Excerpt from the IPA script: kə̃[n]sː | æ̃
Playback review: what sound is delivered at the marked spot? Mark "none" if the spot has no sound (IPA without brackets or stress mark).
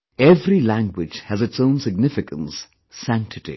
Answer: n